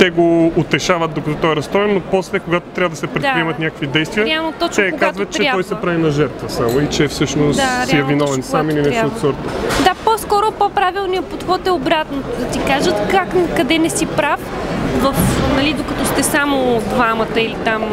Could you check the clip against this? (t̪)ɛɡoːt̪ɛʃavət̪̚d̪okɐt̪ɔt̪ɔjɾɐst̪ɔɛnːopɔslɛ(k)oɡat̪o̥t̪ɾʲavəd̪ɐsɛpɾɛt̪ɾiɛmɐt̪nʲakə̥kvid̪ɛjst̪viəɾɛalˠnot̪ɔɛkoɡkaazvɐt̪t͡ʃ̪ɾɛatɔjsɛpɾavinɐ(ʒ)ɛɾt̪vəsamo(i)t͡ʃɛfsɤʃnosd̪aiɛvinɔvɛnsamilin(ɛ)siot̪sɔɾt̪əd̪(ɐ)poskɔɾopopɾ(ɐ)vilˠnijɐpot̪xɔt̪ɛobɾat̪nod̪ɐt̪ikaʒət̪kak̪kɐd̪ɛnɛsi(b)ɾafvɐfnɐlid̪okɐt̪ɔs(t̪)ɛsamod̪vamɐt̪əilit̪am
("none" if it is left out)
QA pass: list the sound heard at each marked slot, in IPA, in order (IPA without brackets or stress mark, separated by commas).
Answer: t̪, k, ʒ, i, ɛ, a, a, p, t̪